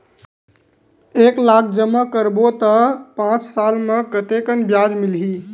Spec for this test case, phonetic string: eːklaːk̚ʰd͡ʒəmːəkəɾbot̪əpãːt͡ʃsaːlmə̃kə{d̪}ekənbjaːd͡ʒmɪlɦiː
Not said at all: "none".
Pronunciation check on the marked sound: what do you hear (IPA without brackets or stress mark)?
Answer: t̪